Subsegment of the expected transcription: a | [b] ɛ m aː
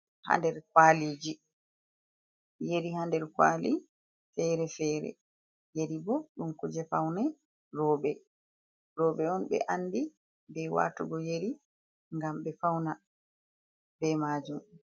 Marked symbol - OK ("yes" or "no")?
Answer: yes